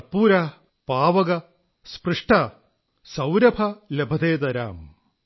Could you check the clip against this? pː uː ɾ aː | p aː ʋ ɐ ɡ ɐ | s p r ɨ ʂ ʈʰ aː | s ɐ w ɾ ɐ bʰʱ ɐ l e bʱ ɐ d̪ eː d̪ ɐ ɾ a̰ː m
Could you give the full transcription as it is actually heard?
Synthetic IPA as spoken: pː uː ɾ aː | p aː ʋ ɐ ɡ ɐ | s p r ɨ ʂ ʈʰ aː | s ɐ w ɾ ɐ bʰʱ ɐ l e bʱ ɐ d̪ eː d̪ ɐ ɾ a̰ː m